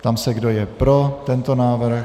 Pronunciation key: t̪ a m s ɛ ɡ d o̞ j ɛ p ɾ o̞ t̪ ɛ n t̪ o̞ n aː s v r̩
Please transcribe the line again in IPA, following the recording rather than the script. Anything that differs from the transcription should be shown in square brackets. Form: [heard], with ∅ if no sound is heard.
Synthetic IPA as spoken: t̪ a m s ɛ ɡ d o̞ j ɛ p ɾ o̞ t̪ ɛ n t̪ o̞ n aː [∅] v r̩